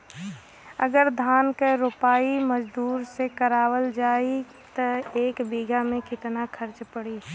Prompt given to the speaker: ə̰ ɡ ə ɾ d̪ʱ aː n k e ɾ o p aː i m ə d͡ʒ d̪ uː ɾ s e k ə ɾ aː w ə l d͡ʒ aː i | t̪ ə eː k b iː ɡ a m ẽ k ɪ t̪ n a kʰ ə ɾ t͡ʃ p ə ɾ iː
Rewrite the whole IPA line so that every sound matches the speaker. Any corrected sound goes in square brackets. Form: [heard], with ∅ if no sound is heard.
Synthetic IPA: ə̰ ɡ ə ɾ d̪ʱ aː n k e ɾ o p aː i m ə d͡ʒ d̪ uː ɾ s e k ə ɾ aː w ə l d͡ʒ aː i | t̪ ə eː k b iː ɡ a m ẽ k ɪ t̪ n a kʰ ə ɾ t͡ʃ p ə [ɽ] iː